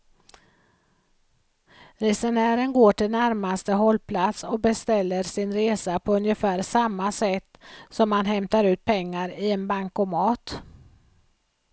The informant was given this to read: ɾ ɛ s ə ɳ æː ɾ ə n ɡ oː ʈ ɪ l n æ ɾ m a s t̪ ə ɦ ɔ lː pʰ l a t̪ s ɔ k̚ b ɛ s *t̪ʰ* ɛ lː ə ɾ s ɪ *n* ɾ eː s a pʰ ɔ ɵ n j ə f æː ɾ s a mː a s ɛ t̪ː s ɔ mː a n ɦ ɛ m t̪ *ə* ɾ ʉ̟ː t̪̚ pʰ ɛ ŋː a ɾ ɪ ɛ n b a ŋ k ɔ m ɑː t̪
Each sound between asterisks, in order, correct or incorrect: incorrect: t̪, correct, incorrect: a

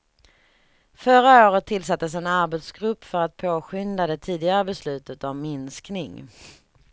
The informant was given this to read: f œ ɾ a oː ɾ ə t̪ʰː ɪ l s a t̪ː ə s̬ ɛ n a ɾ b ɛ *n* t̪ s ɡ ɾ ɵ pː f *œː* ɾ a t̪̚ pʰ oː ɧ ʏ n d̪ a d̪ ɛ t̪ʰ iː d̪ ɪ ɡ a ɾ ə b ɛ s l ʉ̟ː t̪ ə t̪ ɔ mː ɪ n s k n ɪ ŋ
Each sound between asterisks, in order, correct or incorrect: incorrect: none, incorrect: œ

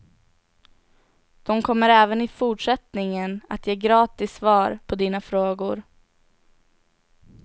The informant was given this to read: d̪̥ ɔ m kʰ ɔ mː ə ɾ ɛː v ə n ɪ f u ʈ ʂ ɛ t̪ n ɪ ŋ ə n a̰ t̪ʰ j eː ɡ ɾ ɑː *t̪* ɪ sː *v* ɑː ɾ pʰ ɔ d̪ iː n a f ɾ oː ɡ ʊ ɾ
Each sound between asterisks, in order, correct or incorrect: correct, correct

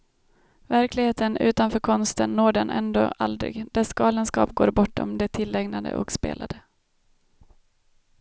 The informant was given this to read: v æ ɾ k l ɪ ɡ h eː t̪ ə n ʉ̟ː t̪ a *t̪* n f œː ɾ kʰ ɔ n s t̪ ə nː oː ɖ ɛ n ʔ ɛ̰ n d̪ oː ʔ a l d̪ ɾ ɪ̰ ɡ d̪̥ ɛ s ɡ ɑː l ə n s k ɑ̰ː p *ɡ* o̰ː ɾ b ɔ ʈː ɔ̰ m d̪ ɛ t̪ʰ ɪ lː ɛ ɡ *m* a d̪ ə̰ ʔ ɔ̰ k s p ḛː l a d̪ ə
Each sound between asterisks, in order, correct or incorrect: incorrect: none, correct, incorrect: n

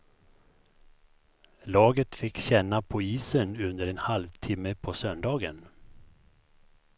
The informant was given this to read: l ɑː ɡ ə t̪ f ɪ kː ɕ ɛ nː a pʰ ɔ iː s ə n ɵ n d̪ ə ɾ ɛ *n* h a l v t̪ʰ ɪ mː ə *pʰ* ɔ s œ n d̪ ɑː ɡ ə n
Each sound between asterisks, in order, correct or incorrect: correct, correct

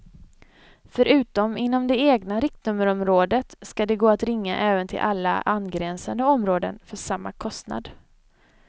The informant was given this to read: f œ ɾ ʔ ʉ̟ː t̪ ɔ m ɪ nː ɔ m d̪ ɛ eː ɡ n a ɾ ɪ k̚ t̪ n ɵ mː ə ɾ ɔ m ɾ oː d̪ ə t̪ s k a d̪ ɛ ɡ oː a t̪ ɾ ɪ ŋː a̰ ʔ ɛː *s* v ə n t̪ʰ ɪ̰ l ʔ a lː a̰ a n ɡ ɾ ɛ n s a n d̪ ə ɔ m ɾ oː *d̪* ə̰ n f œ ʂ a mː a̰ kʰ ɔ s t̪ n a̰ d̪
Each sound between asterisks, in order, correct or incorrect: incorrect: none, correct

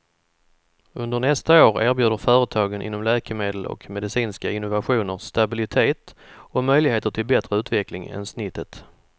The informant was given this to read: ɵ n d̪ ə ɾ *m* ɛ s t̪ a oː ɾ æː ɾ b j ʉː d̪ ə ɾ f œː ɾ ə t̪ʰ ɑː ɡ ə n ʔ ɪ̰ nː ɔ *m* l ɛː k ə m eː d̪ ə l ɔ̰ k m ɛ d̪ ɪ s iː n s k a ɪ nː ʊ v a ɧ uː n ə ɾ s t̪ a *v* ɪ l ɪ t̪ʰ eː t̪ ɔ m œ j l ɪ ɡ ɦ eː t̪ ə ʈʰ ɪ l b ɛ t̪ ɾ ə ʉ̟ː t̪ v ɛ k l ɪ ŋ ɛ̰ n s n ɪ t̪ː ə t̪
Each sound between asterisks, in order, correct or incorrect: incorrect: ɳ, correct, incorrect: b

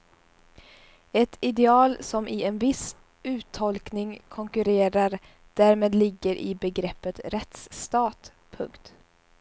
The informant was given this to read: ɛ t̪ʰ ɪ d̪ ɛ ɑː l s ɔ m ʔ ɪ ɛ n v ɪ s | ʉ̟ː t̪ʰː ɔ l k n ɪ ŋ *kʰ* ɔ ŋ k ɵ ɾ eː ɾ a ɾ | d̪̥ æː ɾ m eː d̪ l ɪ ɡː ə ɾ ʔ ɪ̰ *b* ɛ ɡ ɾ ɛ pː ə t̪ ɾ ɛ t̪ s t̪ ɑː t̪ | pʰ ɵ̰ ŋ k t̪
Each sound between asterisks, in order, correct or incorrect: correct, correct

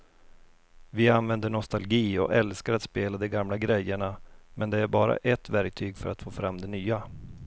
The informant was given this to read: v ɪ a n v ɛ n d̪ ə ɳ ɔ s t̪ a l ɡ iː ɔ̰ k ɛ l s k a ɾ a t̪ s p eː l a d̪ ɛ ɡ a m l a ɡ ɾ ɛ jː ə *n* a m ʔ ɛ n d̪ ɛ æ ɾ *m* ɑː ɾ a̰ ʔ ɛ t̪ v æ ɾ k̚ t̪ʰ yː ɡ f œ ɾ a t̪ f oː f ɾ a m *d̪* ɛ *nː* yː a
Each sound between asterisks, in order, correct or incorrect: incorrect: ɳ, incorrect: b, correct, incorrect: n

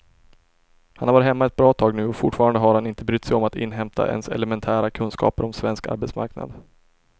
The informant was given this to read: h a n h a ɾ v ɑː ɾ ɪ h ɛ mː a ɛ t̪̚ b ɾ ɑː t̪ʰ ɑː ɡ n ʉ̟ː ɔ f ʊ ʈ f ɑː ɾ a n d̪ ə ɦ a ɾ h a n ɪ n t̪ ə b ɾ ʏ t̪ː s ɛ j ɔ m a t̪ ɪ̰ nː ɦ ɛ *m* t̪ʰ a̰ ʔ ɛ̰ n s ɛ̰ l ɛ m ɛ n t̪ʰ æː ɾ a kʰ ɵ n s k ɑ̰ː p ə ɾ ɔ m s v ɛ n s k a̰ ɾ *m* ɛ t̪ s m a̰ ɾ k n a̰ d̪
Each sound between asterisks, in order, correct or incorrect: correct, incorrect: b

